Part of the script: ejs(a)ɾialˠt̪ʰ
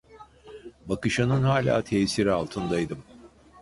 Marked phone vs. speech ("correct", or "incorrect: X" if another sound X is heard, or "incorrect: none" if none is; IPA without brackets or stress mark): incorrect: i